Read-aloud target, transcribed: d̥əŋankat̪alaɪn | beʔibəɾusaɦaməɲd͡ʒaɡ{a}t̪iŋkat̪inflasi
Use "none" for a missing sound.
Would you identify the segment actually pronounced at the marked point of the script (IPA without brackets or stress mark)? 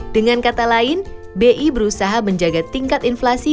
a